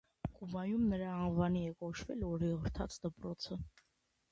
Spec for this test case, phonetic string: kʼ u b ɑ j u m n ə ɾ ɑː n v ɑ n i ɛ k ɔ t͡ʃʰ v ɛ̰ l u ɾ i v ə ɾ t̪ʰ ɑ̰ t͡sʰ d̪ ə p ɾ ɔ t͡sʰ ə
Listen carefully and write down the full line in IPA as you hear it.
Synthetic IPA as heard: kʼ u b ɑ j u m n ə ɾ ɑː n v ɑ n i ɛ k ɔ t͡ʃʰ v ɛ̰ l ɔ ɾ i ʁ ə ɾ t̪ʰ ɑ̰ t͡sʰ d̪ ə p ɾ ɔ t͡sʰ ə